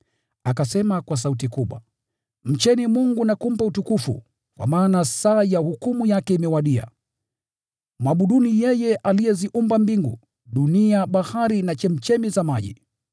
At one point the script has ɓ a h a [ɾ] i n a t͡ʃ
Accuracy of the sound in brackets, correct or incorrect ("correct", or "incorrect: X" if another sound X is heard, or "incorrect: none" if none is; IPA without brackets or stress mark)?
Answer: correct